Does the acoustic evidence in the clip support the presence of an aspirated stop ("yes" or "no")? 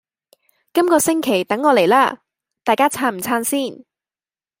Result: yes